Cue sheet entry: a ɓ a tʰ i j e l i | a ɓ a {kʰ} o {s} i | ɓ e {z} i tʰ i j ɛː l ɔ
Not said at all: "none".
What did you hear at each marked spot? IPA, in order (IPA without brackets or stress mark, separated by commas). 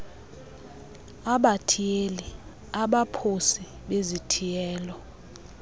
pʰ, s, z